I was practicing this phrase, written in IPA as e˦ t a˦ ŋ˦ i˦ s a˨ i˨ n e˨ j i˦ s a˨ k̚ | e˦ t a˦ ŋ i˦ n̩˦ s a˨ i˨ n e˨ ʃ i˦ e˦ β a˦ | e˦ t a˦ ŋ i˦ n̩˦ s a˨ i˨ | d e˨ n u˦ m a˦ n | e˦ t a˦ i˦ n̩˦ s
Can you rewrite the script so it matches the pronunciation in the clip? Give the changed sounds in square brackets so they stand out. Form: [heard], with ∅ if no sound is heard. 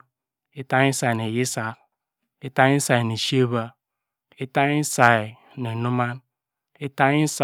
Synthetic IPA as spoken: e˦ t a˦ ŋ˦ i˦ s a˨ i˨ n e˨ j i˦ s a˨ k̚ | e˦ t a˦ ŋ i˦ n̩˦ s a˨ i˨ n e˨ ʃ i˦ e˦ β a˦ | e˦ t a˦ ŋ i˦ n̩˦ s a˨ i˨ | [n] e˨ n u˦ m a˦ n | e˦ t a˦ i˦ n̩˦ s